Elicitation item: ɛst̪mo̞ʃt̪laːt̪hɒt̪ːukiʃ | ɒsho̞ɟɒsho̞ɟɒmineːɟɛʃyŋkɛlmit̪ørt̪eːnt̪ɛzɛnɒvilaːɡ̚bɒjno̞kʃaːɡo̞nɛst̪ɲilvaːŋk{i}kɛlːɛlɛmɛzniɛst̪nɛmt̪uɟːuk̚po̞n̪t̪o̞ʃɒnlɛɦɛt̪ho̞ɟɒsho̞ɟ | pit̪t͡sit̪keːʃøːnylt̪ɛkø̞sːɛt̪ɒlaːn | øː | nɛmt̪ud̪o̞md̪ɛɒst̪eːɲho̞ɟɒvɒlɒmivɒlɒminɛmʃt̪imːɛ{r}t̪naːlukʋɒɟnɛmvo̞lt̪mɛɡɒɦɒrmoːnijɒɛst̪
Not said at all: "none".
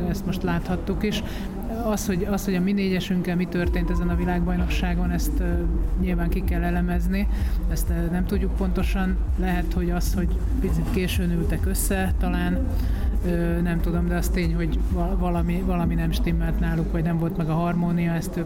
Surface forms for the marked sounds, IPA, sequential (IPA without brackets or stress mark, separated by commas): i, l